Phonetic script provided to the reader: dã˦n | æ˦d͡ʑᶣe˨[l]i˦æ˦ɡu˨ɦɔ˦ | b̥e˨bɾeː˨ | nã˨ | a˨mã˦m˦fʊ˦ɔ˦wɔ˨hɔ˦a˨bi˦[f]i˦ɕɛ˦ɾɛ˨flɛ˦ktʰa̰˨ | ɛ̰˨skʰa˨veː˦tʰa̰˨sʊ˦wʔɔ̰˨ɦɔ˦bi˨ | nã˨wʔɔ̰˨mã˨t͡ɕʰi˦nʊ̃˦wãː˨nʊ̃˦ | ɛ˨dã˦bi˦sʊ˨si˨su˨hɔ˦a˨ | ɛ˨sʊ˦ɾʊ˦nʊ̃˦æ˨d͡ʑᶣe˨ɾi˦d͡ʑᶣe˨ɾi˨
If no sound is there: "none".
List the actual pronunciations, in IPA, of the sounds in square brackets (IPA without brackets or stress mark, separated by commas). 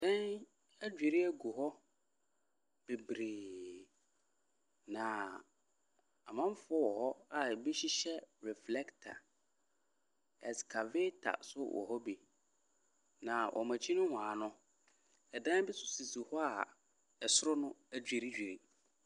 ɾ, ɕ